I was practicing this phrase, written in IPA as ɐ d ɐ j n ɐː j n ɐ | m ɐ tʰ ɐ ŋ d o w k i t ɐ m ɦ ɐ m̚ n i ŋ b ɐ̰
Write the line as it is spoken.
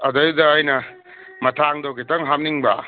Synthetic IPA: ɐ d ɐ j d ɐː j n ɐ | m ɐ tʰ a ŋ d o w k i t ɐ ŋ ɦ a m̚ n i ŋ b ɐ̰